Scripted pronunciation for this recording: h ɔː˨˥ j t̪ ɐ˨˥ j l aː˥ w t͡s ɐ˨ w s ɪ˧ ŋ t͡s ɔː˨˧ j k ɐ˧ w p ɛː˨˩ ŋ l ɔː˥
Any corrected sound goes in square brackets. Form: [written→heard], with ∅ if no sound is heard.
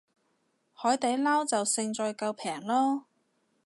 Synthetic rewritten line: h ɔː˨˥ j t̪ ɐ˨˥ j l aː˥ w t͡s ɐ˨ w s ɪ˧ ŋ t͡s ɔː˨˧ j k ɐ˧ w [p→pʰ] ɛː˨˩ ŋ l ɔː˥